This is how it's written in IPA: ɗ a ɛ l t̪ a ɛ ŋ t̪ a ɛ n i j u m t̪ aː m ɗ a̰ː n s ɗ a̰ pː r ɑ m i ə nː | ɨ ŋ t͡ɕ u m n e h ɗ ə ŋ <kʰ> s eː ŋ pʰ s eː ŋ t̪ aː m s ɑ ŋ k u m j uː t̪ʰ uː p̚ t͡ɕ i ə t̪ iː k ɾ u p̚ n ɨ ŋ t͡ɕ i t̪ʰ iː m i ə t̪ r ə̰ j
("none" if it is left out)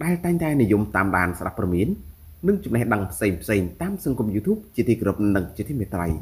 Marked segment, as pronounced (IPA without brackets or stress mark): pʰ